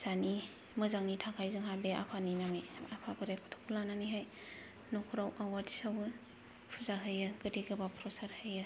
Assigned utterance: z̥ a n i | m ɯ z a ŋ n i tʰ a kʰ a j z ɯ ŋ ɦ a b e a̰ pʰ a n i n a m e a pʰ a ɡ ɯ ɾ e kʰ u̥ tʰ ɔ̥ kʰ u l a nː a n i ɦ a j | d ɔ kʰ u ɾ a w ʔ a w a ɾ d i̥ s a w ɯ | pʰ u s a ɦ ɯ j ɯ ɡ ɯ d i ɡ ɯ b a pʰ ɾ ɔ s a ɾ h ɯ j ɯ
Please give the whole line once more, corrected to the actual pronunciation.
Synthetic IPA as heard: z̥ a n i | m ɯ z a ŋ n i tʰ a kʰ a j z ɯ ŋ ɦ a b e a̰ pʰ a n i n a m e a pʰ a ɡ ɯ ɾ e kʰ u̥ tʰ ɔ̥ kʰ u l a n a n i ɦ a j | n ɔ kʰ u ɾ a w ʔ a w a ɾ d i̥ s a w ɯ | pʰ u z a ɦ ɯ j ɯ ɡ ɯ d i ɡ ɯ b a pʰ ɾ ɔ s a ɾ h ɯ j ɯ